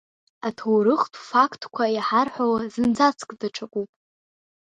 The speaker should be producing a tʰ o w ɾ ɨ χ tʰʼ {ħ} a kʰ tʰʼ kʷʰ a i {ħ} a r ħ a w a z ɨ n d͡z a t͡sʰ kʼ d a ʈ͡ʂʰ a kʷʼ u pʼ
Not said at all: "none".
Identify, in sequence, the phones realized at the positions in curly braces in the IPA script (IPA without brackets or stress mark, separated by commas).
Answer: f, ħ